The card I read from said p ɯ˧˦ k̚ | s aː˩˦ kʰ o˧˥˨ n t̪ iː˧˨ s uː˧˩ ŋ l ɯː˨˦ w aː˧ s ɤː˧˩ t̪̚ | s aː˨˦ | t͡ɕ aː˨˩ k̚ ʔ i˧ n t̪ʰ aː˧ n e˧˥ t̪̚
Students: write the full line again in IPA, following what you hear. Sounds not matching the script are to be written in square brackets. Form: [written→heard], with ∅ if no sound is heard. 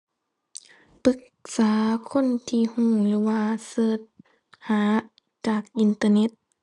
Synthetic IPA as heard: p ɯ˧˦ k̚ | s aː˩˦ kʰ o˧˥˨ n [t̪→t̪ʰ] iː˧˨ [s→h] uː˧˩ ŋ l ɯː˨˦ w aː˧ s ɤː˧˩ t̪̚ | [s→h] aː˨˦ | t͡ɕ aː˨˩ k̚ ʔ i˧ n [t̪ʰ→t̪] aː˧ n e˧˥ t̪̚